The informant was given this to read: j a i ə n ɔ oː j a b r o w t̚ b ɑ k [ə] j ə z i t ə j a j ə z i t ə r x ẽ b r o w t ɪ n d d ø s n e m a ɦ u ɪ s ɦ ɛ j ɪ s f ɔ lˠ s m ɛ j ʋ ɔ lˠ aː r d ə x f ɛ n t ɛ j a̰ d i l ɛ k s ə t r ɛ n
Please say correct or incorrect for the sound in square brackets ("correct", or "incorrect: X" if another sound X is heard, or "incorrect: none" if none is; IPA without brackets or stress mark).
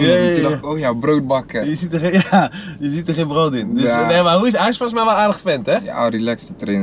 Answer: correct